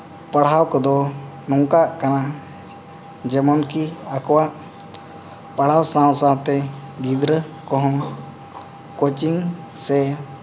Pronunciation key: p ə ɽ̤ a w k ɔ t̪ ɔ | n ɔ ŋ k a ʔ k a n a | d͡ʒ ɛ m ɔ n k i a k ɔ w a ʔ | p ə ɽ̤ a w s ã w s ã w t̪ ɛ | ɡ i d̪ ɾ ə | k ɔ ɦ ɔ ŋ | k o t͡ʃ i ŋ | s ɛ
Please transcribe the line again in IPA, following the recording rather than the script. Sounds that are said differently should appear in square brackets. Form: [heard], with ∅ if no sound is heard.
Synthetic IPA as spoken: p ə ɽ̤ a w k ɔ [d̪] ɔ | n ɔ ŋ k a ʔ k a n a | d͡ʒ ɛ m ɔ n k i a k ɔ w a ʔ | p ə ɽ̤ a w s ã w s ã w t̪ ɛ | ɡ i d̪ ɾ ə | k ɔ ɦ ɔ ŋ | k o t͡ʃ i ŋ | s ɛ